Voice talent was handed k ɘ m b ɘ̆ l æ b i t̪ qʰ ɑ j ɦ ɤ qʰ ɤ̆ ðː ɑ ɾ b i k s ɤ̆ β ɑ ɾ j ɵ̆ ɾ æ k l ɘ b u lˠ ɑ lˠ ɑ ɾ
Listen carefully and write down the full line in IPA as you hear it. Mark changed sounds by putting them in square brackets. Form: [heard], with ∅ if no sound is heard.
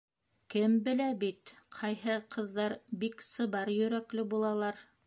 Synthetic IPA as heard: k ɘ m b ɘ̆ l æ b i t̪ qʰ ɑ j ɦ ɤ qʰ ɤ̆ ðː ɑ ɾ b i k s ɤ̆ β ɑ ɾ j ɵ̆ ɾ æ k l ɘ b u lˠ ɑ lˠ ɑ ɾ

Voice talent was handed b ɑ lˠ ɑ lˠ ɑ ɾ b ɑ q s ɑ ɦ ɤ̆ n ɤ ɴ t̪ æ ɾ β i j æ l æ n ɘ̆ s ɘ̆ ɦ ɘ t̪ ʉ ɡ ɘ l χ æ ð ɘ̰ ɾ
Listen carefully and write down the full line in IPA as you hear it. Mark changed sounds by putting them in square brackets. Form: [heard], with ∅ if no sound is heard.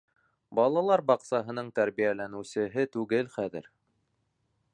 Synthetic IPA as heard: b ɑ lˠ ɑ lˠ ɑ ɾ b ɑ q s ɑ ɦ ɤ̆ n ɤ ɴ t̪ æ ɾ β i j æ l æ n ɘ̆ s ɘ̆ ɦ ɘ t̪ ʉ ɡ ɘ l χ æ ð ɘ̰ ɾ

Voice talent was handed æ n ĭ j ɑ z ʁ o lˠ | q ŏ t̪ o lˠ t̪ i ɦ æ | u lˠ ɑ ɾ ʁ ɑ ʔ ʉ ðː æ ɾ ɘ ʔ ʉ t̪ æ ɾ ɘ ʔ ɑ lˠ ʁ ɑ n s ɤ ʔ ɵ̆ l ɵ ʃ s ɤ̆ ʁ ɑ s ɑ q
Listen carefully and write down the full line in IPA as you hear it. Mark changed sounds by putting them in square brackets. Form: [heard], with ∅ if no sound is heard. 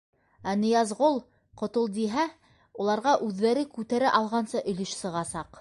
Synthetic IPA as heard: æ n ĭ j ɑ z ʁ o lˠ | q ŏ t̪ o lˠ [d̪] i ɦ æ | u lˠ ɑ ɾ ʁ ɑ ʔ ʉ ðː æ ɾ ɘ [k] ʉ t̪ æ ɾ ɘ ʔ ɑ lˠ ʁ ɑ n s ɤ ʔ ɵ̆ l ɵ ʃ s ɤ̆ ʁ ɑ s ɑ q

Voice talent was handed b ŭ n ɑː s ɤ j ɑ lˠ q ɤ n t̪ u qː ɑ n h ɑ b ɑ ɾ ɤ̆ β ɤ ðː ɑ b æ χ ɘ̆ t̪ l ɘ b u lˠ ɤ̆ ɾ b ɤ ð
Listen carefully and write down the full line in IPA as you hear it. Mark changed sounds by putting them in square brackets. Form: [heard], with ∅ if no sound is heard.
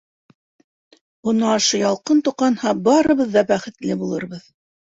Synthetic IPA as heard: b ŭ n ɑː [ʃ] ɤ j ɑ lˠ q ɤ n t̪ u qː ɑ n h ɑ b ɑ ɾ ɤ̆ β ɤ ðː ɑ b æ χ ɘ̆ t̪ l ɘ b u lˠ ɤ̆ ɾ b ɤ ð

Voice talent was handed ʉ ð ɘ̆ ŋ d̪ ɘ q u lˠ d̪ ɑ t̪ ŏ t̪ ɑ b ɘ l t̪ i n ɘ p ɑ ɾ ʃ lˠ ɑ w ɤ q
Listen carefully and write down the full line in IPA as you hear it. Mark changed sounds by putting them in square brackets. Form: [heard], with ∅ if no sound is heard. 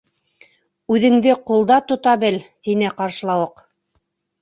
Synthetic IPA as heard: ʉ ð ɘ̆ ŋ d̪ ɘ q u lˠ d̪ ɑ t̪ ŏ t̪ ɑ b ɘ l t̪ i n ɘ [q] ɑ ɾ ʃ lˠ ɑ w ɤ q

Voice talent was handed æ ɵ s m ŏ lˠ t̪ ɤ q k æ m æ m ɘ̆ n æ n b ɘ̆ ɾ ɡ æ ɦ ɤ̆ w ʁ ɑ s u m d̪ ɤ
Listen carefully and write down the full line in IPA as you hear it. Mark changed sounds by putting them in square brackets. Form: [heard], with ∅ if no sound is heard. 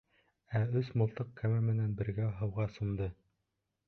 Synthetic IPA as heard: æ ɵ s m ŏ lˠ t̪ ɤ q k æ m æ m ɘ̆ n æ n b ɘ̆ ɾ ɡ æ ɦ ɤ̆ w ʁ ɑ s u m d̪ ɤ

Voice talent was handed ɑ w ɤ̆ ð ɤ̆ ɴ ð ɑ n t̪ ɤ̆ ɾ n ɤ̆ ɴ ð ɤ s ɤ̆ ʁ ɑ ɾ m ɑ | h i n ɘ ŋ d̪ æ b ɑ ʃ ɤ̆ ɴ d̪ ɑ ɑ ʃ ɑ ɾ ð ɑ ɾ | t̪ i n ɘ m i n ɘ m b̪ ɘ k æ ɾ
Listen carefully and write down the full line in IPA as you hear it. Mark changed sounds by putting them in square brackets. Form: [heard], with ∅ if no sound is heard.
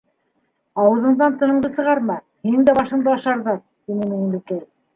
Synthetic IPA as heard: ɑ w ɤ̆ ð ɤ̆ ɴ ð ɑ n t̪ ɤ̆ [∅] n ɤ̆ ɴ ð ɤ s ɤ̆ ʁ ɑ ɾ m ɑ | h i n ɘ ŋ d̪ æ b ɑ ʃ ɤ̆ ɴ d̪ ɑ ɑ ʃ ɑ ɾ ð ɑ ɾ | t̪ i n ɘ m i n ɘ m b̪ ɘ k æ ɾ

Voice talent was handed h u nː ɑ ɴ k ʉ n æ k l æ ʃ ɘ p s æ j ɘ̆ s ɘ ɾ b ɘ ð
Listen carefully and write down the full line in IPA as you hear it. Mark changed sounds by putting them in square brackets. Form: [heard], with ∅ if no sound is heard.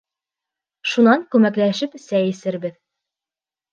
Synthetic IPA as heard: [ʃ] u [n] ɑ [ŋ] k ʉ [m] æ k l æ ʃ ɘ p s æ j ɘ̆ s ɘ ɾ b ɘ ð

